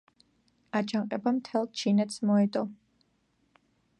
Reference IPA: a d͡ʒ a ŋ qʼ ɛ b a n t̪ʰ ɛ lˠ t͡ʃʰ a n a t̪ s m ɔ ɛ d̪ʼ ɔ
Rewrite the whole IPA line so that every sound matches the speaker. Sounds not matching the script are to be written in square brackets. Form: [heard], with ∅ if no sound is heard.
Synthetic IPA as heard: a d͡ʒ a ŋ qʼ ɛ b a [m] t̪ʰ ɛ lˠ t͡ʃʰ [i] n [ɛ] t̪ s m ɔ ɛ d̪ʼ ɔ